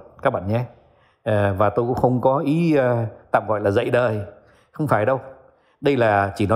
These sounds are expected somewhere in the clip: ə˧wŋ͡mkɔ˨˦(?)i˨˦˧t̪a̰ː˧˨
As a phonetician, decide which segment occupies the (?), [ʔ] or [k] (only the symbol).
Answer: ʔ